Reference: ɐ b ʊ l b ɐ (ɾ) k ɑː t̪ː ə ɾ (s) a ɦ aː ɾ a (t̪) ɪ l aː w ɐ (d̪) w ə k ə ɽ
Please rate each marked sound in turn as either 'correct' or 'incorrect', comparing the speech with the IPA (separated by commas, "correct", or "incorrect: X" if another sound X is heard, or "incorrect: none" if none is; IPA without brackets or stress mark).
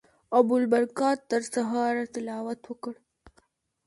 correct, correct, correct, incorrect: t̪